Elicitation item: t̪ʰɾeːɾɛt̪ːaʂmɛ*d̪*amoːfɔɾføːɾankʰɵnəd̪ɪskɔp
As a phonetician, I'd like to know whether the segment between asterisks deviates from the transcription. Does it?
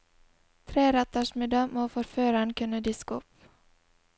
no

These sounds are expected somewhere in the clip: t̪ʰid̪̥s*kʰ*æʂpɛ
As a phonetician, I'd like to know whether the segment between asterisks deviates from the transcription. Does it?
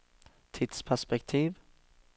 yes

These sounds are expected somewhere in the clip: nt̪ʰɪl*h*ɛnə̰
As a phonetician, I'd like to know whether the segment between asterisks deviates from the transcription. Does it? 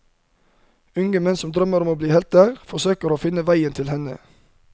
no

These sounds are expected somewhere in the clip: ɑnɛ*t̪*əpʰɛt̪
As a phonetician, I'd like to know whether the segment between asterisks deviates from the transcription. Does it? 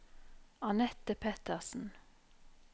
no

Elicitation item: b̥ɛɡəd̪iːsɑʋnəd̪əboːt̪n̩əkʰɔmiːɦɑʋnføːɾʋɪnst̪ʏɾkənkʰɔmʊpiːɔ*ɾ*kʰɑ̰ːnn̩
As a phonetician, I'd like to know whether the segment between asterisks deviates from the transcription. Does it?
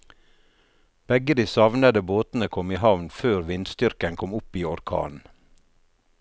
no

